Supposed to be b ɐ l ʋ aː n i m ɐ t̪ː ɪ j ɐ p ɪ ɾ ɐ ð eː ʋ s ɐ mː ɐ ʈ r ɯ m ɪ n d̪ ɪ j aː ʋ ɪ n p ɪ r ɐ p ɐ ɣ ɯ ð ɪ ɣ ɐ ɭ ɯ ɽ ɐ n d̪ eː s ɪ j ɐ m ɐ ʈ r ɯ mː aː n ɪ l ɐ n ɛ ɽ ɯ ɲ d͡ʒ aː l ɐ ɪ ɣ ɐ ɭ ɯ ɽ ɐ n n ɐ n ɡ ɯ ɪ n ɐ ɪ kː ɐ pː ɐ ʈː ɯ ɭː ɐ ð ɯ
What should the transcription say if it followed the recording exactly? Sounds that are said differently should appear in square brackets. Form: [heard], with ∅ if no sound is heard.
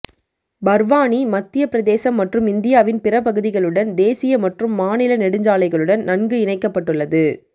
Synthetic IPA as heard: b ɐ [ɾ] ʋ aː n i m ɐ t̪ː ɪ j ɐ p ɪ ɾ ɐ ð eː [∅] s ɐ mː ɐ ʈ r ɯ m ɪ n d̪ ɪ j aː ʋ ɪ n p ɪ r ɐ p ɐ ɣ ɯ ð ɪ ɣ ɐ ɭ ɯ ɽ ɐ n d̪ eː s ɪ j ɐ m ɐ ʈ r ɯ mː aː n ɪ l ɐ n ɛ ɽ ɯ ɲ d͡ʒ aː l ɐ ɪ ɣ ɐ ɭ ɯ ɽ ɐ n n ɐ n ɡ ɯ ɪ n ɐ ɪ kː ɐ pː ɐ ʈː ɯ ɭː ɐ ð ɯ